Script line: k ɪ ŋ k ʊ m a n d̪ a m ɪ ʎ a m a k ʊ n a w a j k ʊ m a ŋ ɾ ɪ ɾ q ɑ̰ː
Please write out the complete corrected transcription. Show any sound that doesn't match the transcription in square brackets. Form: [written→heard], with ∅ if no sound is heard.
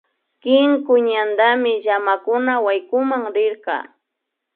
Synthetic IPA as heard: k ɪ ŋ k ʊ [m→ɲ] a n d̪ a m ɪ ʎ a m a k ʊ n a w a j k ʊ m a ŋ ɾ ɪ ɾ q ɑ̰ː

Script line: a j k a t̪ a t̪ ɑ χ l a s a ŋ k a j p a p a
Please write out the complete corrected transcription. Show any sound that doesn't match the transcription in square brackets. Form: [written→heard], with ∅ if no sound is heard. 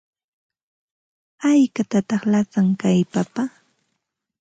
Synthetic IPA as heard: a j k a t̪ a t̪ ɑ χ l a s a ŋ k a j p a p a

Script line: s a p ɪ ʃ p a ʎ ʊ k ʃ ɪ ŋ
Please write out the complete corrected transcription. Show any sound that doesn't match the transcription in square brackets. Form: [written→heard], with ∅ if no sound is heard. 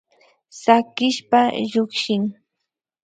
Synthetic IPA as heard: s a [p→k] ɪ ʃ p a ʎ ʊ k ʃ ɪ ŋ

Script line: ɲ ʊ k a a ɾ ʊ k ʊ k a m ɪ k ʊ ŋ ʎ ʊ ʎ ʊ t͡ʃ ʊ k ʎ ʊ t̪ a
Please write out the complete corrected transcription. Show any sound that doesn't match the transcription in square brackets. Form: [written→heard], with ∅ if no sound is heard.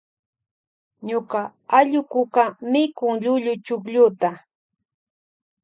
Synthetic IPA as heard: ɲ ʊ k a a [ɾ→ʎ] ʊ k ʊ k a m ɪ k ʊ ŋ ʎ ʊ ʎ ʊ t͡ʃ ʊ k ʎ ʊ t̪ a

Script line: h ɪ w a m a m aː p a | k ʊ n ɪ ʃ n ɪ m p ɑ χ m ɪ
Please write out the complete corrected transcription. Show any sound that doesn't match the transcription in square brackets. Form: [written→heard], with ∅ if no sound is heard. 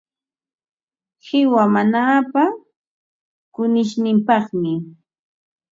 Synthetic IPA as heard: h ɪ w a m a [m→n] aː p a | k ʊ n ɪ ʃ n ɪ m p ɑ χ m ɪ

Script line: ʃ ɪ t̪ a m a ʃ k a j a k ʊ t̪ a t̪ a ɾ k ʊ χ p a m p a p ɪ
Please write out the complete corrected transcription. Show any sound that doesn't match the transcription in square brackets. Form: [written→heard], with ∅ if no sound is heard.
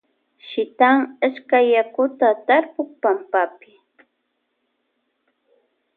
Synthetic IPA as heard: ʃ ɪ t̪ a [m→ŋ] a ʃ k a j a k ʊ t̪ a t̪ a ɾ [k→p] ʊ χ p a m p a p ɪ

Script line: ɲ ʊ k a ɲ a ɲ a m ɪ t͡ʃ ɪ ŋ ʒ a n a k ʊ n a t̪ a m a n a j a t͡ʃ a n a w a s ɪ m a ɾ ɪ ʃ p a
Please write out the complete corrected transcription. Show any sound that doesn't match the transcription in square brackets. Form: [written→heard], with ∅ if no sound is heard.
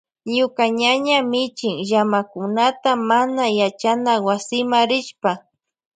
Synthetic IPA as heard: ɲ ʊ k a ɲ a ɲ a m ɪ t͡ʃ ɪ ŋ ʒ a [n→m] a k ʊ n a t̪ a m a n a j a t͡ʃ a n a w a s ɪ m a ɾ ɪ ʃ p a

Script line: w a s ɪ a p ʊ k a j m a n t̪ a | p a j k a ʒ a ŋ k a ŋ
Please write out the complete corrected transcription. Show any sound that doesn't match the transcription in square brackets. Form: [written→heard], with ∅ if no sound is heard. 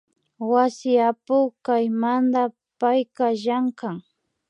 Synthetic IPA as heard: w a s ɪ a p ʊ k a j m a n [t̪→d̪] a | p a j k a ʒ a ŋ k a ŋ

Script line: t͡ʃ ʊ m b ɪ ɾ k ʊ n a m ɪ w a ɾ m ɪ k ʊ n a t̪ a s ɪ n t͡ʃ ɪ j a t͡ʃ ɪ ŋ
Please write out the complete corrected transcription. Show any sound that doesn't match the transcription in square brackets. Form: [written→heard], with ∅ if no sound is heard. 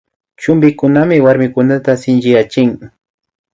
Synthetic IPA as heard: t͡ʃ ʊ m b ɪ [ɾ→∅] k ʊ n a m ɪ w a ɾ m ɪ k ʊ n a t̪ a s ɪ n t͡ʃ ɪ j a t͡ʃ ɪ ŋ

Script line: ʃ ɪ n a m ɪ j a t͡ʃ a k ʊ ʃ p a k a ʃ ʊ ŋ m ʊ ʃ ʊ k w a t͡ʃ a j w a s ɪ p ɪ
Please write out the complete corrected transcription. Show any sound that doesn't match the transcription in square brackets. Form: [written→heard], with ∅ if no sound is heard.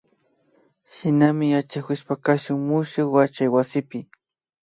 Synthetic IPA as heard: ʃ ɪ n a m ɪ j a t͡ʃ a k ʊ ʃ p a k a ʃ ʊ ŋ m ʊ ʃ ʊ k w a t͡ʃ a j w a s ɪ p ɪ

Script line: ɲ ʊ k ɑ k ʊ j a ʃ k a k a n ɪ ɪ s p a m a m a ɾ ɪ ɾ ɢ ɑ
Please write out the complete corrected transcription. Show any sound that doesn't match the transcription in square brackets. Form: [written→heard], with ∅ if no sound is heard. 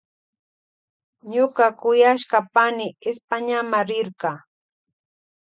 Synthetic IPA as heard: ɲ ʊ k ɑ k ʊ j a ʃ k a [k→p] a n ɪ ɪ s p a [m→ɲ] a m a ɾ ɪ ɾ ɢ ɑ

